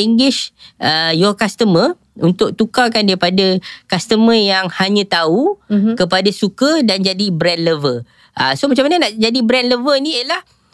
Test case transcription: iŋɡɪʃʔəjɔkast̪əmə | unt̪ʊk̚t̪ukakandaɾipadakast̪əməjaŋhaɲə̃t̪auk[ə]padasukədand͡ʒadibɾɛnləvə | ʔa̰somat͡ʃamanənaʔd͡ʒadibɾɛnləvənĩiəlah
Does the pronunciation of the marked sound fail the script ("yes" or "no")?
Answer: no